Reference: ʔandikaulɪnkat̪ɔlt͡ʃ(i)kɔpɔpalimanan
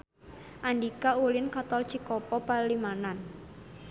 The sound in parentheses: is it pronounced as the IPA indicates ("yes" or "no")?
yes